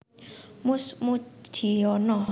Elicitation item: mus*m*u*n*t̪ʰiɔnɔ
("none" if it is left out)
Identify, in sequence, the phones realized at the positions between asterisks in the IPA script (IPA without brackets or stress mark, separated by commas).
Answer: m, none